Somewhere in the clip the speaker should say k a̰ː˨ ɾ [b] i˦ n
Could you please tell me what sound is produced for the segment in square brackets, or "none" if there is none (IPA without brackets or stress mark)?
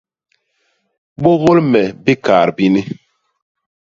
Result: b